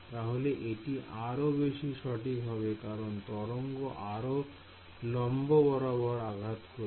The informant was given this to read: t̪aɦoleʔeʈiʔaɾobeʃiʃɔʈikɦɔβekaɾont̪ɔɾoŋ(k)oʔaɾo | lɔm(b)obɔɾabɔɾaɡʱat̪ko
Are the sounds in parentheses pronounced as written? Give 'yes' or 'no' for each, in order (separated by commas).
no, yes